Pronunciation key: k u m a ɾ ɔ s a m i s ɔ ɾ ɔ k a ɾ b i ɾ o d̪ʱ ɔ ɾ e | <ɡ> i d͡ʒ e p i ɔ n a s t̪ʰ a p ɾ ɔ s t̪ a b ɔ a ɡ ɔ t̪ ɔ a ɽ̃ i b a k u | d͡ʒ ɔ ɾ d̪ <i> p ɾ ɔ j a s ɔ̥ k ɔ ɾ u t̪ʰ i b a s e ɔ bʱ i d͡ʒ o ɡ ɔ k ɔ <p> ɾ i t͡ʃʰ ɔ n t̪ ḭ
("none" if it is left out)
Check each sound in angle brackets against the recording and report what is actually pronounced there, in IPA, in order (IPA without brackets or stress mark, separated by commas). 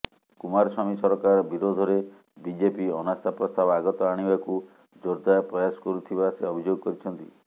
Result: b, a, none